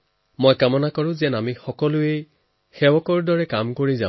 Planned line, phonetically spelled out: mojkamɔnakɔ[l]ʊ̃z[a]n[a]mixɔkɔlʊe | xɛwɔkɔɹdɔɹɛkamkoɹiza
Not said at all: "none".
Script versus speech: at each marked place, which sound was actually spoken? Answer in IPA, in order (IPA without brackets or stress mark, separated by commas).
ɹ, ɛ, a